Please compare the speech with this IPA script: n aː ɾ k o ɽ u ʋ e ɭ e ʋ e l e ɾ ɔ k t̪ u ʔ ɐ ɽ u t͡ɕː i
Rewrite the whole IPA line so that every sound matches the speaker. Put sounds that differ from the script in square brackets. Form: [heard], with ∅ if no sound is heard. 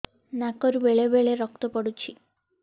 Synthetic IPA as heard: n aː [∅] k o [ɾ] u ʋ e ɭ e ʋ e [ɭ] e ɾ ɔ k t̪ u [p] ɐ ɽ u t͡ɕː i